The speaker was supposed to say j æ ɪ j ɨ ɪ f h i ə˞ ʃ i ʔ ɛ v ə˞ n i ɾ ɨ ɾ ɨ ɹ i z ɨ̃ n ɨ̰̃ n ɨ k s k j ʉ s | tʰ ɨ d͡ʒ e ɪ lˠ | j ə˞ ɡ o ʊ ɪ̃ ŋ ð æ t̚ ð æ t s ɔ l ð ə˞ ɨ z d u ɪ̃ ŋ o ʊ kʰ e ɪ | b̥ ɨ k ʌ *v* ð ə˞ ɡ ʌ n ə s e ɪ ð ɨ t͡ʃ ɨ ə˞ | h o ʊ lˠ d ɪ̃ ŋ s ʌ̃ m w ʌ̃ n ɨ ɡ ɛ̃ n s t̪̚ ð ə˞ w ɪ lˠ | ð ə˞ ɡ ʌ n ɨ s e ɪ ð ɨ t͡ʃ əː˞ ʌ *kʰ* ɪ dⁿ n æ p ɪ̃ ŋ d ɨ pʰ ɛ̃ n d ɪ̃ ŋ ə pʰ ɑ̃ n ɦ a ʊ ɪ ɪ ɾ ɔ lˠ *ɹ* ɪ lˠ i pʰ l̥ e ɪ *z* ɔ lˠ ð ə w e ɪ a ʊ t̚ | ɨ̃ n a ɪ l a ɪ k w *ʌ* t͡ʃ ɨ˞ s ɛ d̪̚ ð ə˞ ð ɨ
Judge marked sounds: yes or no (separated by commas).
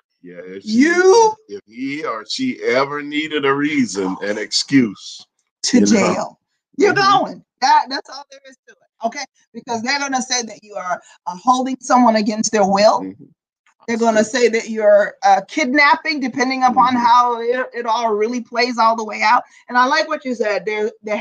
no, yes, yes, yes, yes